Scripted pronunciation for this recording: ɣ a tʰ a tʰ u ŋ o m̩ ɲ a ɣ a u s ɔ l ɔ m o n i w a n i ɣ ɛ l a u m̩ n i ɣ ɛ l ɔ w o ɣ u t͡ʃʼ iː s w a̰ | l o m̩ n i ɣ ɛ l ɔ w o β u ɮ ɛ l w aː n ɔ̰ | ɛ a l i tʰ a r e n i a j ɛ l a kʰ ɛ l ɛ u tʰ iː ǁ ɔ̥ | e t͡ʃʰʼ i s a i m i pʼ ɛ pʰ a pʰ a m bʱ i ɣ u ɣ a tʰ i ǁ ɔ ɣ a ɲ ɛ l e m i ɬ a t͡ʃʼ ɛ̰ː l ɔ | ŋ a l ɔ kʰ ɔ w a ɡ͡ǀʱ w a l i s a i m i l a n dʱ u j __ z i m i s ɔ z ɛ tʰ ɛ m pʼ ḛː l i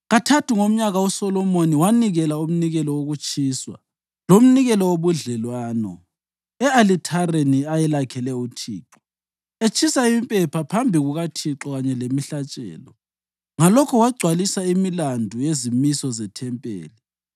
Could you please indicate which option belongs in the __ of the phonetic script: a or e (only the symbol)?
e